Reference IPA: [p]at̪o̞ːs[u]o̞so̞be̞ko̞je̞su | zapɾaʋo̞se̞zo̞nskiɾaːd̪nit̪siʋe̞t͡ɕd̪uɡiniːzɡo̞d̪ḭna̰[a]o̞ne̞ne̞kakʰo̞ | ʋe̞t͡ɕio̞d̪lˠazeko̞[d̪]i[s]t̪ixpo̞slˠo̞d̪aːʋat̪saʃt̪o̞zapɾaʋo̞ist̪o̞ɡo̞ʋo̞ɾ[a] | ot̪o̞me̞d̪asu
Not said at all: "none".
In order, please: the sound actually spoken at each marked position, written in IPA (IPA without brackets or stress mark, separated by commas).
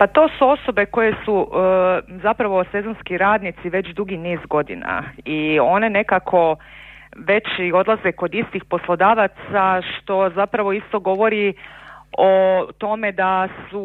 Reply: p, u, i, d̪, s, i